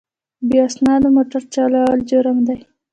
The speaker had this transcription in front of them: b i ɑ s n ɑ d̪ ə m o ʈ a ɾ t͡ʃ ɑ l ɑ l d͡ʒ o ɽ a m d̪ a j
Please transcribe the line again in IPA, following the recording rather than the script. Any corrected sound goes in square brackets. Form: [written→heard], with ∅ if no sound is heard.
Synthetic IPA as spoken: b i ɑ s n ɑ d̪ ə m o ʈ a ɾ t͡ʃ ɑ l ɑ l d͡ʒ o [ɽ→ɾ] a m d̪ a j